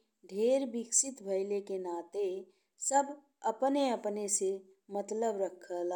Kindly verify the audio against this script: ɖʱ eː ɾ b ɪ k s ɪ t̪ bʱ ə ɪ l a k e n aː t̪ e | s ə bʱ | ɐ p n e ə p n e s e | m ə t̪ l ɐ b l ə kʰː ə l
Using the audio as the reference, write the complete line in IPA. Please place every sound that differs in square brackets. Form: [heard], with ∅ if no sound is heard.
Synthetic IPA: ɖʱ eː ɾ b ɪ k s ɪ t̪ bʱ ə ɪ l [e] k e n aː t̪ e | s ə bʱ | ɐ p n e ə p n e s e | m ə t̪ l [ə] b [ɾ] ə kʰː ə l